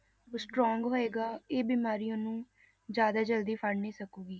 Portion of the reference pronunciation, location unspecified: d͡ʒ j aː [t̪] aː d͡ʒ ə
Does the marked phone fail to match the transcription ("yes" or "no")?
yes